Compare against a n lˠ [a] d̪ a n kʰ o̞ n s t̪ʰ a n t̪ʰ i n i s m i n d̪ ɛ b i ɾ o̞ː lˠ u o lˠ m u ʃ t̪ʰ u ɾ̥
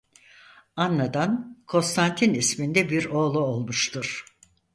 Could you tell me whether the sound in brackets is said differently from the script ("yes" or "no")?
no